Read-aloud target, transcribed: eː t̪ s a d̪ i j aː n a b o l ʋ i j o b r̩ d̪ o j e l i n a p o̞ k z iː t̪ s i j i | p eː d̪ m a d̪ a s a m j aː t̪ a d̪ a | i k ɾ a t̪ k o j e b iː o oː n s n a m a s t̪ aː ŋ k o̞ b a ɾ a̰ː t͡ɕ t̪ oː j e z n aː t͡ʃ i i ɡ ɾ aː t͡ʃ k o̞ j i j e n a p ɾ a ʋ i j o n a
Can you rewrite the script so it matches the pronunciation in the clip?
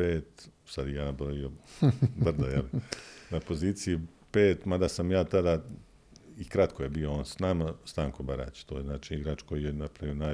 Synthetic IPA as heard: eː t̪ s a d̪ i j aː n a b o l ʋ i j o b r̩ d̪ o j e l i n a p o̞ z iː t̪ s i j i | p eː t̪ m a d̪ a s a m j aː t̪ a d̪ a | i k ɾ a t̪ k o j e b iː o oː n s n a m a s t̪ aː ŋ k o̞ b a ɾ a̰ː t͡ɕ t̪ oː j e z n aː t͡ʃ i i ɡ ɾ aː t͡ʃ k o̞ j i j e n a p ɾ a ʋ i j o n a